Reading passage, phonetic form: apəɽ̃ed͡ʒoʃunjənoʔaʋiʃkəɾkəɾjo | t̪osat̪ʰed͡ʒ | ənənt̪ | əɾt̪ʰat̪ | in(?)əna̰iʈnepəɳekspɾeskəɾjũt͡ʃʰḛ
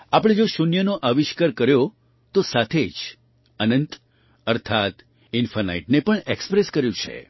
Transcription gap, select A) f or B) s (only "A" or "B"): A